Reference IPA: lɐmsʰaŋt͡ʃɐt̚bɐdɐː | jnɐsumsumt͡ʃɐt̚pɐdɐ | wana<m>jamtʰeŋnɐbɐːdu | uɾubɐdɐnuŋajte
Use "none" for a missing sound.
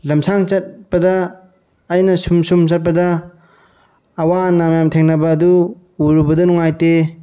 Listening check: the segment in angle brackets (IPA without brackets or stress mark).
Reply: m